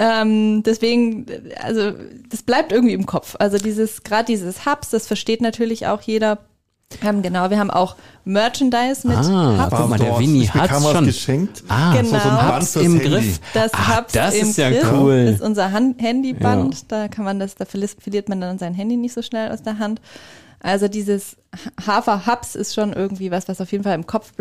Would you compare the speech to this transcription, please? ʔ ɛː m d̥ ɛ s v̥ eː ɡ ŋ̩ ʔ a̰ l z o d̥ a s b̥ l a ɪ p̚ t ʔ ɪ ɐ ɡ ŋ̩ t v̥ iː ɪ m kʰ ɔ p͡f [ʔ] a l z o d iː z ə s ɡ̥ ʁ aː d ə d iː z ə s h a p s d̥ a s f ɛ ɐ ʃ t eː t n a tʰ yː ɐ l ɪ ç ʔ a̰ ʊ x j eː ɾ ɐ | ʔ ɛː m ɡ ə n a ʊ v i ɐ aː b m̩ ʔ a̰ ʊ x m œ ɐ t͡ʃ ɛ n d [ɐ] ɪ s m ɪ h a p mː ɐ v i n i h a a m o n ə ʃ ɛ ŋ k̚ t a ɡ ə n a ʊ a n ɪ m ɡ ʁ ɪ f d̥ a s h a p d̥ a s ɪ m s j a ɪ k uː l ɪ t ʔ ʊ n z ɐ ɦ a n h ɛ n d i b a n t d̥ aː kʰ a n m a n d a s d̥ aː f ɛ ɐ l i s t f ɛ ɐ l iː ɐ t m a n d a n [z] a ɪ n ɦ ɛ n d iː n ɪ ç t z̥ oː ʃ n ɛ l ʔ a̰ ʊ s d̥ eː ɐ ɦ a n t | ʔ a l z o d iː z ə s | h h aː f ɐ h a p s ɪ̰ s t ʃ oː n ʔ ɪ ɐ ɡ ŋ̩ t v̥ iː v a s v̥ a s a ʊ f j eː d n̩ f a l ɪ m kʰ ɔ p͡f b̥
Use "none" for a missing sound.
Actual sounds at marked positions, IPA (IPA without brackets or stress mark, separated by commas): ʔ, a, z